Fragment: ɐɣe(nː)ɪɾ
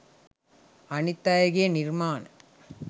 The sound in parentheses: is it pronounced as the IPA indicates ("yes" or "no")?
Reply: no